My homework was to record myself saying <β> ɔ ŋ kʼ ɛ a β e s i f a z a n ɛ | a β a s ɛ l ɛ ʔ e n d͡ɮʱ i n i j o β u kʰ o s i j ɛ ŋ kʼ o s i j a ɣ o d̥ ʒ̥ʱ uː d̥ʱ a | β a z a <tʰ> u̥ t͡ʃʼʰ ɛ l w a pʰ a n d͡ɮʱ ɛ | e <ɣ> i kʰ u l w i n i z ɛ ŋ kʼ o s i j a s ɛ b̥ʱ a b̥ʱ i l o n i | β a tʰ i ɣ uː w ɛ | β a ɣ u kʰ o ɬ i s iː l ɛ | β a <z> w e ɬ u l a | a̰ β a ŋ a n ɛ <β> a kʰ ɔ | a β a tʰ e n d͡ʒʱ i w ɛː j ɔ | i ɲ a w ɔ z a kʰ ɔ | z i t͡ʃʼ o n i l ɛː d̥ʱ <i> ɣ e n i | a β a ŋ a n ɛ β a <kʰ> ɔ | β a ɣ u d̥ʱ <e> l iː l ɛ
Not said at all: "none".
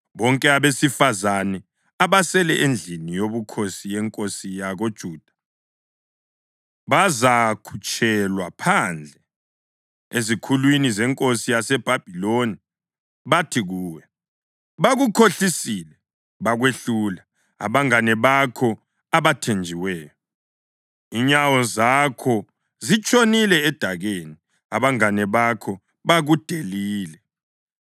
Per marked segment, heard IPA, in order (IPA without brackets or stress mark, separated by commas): β, kʰ, z, ɣ, β, a, kʰ, e